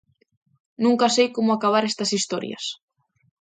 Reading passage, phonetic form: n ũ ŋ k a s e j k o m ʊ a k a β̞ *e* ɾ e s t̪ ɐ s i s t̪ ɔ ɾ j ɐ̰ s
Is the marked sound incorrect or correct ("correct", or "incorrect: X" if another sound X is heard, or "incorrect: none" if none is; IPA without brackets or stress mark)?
incorrect: a